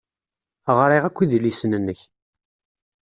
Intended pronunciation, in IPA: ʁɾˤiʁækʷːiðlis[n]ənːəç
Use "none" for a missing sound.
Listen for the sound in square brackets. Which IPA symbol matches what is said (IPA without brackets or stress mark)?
n